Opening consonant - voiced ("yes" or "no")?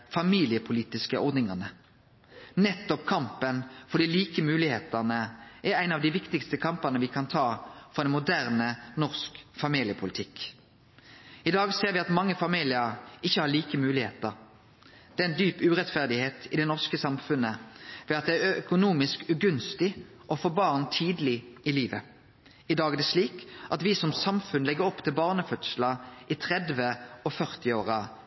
no